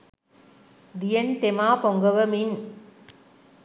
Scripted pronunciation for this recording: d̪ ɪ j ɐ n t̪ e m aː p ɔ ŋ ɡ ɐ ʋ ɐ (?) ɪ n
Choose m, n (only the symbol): m